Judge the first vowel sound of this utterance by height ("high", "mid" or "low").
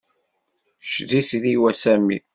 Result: high